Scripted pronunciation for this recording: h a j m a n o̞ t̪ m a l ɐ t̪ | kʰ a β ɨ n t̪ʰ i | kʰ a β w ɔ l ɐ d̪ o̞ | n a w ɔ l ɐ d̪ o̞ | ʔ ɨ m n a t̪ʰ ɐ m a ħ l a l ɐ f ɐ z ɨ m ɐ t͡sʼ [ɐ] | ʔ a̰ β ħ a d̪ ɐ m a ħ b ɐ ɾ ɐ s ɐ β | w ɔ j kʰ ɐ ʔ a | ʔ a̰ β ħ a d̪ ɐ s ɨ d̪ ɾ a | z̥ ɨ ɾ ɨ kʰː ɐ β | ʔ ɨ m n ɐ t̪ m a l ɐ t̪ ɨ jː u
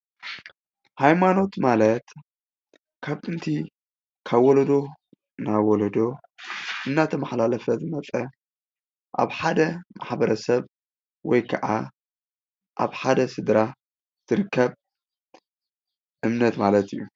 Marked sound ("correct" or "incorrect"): correct